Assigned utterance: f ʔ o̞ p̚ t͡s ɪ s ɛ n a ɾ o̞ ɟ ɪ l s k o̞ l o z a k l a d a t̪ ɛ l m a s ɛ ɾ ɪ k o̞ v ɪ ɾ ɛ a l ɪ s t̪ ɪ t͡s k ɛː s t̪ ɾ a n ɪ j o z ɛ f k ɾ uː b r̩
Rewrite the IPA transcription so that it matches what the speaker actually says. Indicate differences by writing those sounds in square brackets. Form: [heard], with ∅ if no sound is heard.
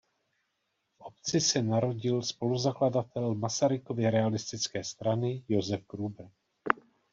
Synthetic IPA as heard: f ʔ o̞ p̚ t͡s ɪ s ɛ n a ɾ o̞ ɟ ɪ l s [p] o̞ l [u] z a k l a d a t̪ ɛ l m a s [a] ɾ ɪ k o̞ v ɪ ɾ ɛ a l ɪ s t̪ ɪ t͡s k ɛː s t̪ ɾ a n ɪ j o z ɛ f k ɾ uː b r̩